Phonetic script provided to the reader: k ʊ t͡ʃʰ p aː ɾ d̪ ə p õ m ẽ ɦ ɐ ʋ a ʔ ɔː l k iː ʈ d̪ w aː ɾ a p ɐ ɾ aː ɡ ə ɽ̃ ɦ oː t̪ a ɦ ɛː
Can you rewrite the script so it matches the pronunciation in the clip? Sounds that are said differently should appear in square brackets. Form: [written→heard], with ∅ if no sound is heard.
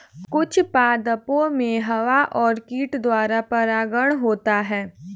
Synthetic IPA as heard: k ʊ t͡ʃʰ p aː [ɾ→∅] d̪ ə p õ m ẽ ɦ ɐ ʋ a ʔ ɔː [l→ɾ] k iː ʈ d̪ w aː ɾ a p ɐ ɾ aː ɡ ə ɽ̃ ɦ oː t̪ a ɦ ɛː